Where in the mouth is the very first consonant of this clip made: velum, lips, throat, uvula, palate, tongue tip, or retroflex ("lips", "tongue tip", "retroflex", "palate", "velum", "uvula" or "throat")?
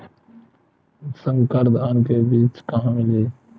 tongue tip